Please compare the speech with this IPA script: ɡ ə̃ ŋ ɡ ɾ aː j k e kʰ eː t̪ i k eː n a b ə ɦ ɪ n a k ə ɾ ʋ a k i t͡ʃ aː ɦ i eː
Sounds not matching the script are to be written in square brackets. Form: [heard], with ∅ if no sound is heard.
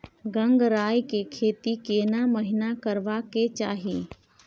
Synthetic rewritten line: ɡ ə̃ ŋ ɡ ɾ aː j k e kʰ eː t̪ i k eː n a [m] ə ɦ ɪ n a k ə ɾ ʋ a k [e] t͡ʃ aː ɦ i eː